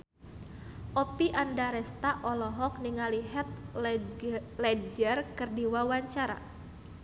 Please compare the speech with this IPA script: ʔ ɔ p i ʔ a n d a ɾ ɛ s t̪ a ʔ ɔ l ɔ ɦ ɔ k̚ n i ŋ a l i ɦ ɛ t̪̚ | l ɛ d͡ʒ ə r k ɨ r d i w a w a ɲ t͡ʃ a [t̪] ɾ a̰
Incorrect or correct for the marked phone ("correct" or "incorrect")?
incorrect